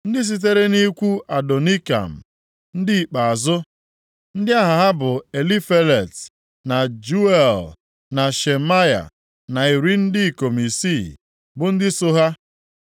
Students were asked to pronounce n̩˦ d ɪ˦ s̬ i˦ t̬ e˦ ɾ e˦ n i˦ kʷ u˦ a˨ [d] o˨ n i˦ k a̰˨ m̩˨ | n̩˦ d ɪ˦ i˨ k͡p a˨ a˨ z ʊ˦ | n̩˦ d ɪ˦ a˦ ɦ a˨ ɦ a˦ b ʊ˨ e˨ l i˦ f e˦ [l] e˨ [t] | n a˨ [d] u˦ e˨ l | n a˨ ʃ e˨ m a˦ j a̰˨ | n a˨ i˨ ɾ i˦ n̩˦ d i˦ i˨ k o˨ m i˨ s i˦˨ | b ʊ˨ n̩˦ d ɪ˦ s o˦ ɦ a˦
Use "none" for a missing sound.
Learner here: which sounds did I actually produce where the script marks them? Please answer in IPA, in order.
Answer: d, l, t, d͡ʒ

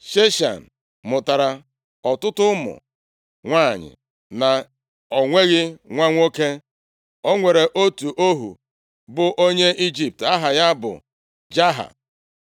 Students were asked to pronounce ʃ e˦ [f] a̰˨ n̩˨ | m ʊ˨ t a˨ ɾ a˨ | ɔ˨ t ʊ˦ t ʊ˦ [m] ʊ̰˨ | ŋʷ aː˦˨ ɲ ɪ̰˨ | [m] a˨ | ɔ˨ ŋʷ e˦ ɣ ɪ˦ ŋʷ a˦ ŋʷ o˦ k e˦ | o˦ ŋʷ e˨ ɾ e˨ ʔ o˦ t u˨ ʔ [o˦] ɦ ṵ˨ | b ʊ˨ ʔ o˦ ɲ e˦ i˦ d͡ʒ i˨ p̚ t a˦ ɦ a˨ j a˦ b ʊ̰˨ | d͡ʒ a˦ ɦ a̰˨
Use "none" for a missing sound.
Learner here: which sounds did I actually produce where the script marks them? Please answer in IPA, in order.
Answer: ʃ, m, n, o˦

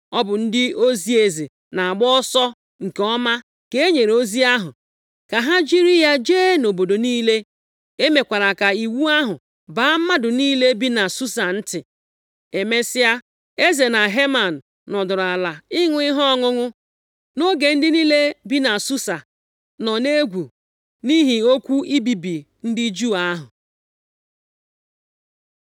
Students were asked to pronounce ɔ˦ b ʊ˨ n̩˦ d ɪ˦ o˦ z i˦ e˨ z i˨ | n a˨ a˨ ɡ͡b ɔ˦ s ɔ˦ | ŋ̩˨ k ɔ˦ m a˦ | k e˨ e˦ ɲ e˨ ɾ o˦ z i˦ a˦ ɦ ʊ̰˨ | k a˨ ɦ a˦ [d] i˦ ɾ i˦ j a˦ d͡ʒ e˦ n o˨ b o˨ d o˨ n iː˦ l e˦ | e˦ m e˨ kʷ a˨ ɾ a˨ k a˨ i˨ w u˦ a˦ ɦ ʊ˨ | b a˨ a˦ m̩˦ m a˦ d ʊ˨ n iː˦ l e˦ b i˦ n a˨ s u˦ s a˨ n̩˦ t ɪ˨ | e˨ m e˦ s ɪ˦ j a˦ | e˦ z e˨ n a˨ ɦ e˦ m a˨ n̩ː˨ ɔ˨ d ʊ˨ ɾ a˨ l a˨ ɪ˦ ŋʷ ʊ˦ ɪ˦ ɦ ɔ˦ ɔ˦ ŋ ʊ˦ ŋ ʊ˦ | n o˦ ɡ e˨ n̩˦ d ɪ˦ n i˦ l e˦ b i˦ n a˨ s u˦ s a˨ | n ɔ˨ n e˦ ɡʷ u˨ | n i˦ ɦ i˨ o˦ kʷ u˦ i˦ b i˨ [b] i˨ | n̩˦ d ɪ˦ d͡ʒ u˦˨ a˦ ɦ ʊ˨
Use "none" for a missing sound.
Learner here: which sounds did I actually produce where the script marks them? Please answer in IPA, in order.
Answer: d͡ʒ, b

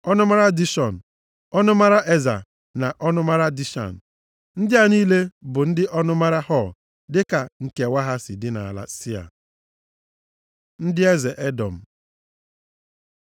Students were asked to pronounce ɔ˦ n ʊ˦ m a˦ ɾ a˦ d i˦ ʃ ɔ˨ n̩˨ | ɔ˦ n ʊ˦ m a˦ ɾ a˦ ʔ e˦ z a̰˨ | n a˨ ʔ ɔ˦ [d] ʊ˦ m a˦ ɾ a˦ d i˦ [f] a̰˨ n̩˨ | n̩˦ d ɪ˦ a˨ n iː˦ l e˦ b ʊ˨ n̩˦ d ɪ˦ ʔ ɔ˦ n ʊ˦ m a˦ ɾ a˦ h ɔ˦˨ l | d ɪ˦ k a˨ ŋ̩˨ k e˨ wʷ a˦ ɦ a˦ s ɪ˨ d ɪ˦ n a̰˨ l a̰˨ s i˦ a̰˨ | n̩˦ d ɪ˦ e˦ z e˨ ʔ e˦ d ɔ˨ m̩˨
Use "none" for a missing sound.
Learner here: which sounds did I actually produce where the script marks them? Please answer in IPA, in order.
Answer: n, ʃ

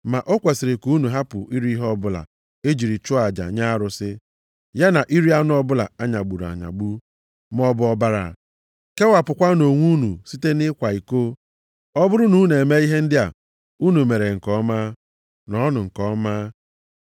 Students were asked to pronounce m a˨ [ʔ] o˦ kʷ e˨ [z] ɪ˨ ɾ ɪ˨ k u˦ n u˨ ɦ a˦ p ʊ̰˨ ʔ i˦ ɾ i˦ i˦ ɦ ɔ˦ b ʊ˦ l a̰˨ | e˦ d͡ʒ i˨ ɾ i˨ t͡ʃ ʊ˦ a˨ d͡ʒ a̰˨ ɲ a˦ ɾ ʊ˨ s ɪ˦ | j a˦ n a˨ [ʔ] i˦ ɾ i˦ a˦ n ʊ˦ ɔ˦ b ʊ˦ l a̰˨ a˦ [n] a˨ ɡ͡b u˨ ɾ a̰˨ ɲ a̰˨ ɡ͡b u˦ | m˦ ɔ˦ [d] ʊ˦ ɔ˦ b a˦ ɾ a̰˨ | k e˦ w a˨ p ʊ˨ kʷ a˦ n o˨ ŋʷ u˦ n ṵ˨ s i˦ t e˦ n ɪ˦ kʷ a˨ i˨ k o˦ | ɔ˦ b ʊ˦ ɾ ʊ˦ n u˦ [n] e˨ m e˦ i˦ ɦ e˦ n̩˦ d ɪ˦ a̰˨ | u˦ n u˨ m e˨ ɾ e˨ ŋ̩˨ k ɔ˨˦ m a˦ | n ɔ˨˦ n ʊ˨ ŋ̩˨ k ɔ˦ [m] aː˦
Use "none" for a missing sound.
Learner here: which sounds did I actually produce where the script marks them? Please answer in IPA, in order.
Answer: ʔ, s, ʔ, ɲ, b, n, m

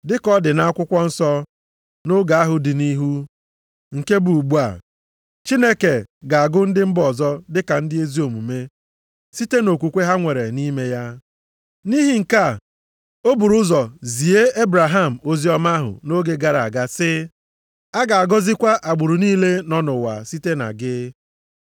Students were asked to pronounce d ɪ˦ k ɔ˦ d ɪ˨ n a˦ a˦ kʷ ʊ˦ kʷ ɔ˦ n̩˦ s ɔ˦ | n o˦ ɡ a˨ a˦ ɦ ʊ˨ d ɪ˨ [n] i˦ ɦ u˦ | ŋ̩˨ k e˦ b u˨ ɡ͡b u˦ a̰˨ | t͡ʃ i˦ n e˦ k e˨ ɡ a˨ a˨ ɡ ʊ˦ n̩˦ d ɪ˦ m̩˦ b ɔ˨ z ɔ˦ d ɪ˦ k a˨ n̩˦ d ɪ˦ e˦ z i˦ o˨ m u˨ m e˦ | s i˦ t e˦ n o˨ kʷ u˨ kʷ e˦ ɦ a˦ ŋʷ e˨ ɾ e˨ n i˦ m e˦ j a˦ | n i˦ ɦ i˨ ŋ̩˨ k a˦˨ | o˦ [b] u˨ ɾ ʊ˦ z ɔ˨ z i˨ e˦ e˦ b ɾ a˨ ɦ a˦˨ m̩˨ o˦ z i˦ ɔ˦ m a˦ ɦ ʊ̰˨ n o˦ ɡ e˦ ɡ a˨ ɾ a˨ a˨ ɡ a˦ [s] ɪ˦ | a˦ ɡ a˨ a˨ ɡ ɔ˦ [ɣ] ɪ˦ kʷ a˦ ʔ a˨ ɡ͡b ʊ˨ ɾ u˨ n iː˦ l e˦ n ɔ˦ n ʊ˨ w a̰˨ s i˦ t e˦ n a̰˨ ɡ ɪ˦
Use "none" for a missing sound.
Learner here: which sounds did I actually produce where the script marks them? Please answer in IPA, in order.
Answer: n, b, s, z

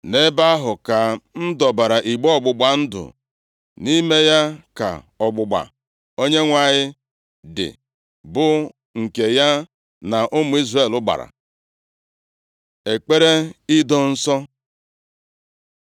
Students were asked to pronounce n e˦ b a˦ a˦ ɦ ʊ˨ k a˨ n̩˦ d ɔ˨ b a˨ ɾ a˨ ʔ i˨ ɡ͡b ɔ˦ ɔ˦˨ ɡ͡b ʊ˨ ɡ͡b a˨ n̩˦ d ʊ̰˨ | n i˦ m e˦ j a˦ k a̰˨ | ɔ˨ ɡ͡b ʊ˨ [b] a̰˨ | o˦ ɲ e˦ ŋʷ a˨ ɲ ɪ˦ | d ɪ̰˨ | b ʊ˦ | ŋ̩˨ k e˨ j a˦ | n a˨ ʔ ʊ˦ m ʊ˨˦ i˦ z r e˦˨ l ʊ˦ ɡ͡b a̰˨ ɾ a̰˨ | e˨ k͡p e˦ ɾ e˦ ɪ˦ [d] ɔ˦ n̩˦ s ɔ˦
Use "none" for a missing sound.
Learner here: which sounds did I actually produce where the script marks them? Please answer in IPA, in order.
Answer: ɡ͡b, d

